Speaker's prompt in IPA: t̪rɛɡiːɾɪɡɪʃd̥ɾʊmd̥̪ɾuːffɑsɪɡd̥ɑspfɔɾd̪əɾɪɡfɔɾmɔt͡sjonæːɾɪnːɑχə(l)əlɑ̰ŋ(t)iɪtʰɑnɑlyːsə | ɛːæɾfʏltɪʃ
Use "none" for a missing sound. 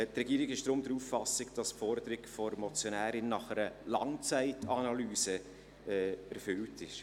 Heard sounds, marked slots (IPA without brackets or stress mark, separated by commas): ɾ, t͡s